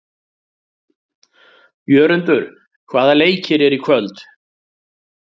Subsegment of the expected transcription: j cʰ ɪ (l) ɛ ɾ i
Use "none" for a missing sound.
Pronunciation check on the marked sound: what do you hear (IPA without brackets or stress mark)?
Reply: ɾ